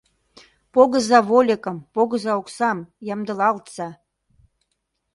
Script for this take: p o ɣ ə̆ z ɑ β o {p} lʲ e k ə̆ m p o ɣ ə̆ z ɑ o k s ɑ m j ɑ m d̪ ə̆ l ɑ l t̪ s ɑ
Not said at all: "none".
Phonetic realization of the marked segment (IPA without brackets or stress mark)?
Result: none